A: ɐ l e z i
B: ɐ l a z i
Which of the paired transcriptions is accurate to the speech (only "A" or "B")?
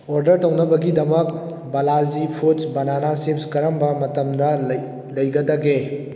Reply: B